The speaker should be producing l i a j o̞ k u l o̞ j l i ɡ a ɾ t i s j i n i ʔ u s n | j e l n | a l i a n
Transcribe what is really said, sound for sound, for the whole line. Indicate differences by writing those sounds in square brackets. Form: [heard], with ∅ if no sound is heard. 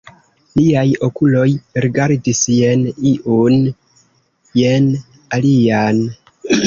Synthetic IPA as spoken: l i a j o̞ k u l o̞ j [ɾ] i ɡ a ɾ [d] i s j [e] n i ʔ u [∅] n | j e [∅] n | a l i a n